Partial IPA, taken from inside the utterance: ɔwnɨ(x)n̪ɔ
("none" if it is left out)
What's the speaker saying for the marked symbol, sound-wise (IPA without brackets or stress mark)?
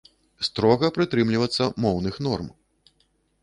x